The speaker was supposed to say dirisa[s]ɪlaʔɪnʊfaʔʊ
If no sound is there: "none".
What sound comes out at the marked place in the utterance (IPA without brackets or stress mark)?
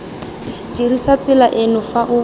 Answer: t͡s